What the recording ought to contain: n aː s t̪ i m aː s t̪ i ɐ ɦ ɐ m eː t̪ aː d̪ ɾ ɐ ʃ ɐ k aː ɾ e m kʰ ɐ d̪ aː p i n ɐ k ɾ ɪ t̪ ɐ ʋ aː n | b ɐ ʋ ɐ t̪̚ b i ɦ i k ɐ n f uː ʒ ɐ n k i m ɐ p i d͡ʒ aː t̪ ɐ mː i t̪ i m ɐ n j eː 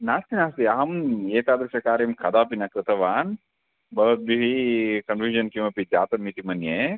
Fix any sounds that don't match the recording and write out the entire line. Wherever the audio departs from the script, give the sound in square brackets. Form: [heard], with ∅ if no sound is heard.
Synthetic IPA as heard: n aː s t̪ i [n] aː s t̪ i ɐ ɦ ɐ m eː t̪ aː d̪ ɾ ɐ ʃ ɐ k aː ɾ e m kʰ ɐ d̪ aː p i n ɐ k ɾ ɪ t̪ ɐ ʋ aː n | b ɐ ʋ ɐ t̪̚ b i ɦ i k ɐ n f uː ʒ ɐ n k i m ɐ p i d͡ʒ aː t̪ ɐ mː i t̪ i m ɐ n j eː